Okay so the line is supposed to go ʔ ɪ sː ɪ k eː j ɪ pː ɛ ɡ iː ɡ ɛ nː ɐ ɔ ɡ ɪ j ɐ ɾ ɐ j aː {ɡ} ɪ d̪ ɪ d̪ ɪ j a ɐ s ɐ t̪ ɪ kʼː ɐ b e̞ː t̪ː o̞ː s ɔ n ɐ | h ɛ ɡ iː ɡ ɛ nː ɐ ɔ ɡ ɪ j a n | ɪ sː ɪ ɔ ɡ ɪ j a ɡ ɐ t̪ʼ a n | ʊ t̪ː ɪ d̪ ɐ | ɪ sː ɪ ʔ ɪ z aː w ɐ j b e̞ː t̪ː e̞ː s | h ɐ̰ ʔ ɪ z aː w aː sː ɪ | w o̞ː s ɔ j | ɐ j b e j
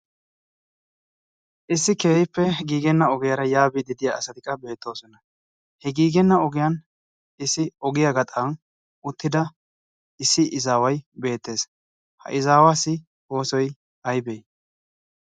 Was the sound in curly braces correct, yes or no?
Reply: no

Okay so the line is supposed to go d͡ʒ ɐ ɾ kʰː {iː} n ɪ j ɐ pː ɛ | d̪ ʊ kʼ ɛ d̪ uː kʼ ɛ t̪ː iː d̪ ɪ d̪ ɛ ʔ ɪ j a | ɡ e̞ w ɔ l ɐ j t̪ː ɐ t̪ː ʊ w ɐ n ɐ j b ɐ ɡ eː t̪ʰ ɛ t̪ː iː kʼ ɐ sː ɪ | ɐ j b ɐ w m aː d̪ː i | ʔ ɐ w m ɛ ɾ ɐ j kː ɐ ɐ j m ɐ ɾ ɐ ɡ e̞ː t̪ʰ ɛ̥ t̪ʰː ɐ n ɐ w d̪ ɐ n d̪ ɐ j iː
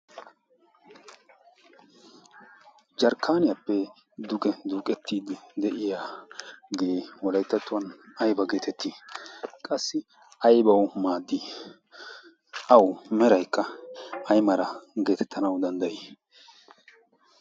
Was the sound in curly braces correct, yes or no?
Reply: no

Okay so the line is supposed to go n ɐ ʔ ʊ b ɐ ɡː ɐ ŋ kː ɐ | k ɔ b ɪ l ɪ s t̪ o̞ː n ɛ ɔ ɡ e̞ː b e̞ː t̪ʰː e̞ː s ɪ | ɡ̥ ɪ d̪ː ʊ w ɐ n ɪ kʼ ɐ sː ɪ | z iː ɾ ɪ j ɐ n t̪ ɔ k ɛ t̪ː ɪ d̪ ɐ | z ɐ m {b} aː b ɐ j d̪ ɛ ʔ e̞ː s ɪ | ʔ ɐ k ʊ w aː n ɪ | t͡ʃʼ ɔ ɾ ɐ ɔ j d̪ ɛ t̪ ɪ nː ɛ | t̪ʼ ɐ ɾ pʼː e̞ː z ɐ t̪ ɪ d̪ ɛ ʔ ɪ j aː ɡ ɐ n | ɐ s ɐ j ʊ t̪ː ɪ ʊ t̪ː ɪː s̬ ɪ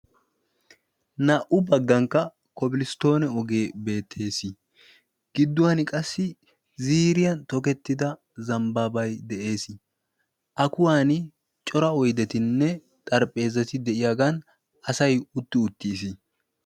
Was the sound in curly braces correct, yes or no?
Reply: yes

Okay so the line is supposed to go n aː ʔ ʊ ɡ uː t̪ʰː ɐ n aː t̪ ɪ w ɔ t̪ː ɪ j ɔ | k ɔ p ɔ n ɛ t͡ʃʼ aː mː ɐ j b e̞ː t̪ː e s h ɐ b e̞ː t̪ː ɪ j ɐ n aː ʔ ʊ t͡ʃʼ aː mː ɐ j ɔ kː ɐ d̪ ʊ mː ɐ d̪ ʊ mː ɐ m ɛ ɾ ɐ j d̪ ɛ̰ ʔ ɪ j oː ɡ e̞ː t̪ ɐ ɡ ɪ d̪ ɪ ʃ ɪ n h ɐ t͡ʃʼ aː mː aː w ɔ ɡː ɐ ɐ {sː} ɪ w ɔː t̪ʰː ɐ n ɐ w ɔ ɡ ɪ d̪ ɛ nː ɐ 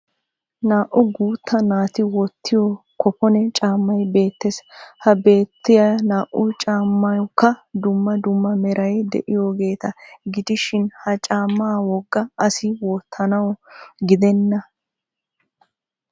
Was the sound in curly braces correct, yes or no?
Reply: no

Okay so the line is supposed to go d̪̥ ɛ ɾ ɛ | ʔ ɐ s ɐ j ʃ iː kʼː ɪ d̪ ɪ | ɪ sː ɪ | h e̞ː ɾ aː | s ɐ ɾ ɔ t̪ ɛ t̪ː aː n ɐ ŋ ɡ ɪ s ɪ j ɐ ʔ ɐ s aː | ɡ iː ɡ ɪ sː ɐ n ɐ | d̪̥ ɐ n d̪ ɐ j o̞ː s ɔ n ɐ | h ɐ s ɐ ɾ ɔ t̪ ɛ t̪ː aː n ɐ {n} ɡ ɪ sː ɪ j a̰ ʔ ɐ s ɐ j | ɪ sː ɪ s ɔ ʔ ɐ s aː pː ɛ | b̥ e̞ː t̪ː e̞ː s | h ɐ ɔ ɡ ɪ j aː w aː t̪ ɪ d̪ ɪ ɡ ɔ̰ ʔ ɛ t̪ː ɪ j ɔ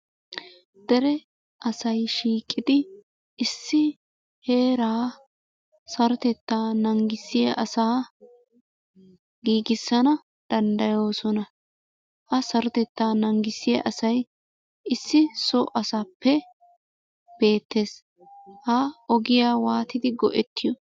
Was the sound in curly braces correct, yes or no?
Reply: no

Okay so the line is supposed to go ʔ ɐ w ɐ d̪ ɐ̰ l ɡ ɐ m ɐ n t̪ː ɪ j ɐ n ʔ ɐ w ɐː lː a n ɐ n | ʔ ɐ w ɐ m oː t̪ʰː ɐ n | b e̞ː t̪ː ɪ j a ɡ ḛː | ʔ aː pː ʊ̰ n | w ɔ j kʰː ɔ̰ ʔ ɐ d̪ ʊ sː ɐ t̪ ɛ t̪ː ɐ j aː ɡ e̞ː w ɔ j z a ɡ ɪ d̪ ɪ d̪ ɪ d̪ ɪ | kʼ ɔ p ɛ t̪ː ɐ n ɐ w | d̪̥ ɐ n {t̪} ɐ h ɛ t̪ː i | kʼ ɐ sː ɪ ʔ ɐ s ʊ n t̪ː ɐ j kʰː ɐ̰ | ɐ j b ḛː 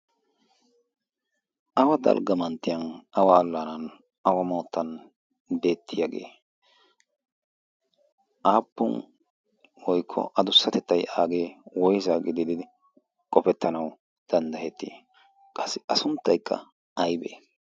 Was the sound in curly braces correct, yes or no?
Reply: no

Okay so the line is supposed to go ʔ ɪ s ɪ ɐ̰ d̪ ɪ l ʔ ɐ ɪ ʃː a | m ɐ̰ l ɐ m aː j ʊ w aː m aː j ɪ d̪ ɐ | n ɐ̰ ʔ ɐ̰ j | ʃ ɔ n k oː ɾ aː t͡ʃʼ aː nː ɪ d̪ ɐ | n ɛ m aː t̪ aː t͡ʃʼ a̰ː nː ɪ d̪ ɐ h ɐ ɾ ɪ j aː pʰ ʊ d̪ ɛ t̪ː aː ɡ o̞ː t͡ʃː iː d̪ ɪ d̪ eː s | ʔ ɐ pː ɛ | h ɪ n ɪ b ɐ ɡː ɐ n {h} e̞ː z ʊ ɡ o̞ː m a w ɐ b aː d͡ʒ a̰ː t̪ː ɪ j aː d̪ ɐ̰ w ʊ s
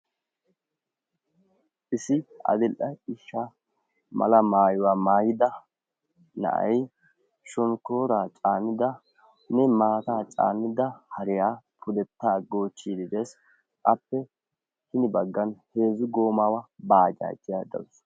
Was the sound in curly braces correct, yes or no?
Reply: yes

